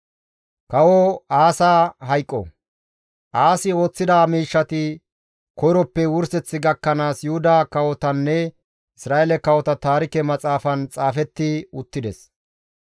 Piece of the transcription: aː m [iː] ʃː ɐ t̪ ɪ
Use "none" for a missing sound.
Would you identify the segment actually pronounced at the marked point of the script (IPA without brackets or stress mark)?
iː